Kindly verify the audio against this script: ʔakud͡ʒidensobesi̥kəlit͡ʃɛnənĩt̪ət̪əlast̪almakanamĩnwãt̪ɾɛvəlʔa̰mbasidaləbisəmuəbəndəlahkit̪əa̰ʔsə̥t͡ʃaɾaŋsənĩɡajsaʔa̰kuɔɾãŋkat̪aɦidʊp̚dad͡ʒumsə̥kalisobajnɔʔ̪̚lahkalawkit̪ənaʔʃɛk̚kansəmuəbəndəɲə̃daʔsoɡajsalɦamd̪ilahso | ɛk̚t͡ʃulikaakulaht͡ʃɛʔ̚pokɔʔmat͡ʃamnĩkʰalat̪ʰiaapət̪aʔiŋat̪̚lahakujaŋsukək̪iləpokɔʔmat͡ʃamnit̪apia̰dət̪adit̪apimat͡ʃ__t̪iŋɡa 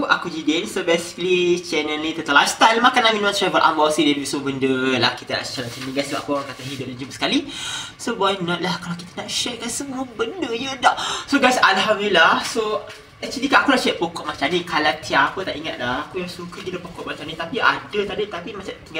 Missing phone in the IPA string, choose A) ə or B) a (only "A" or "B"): B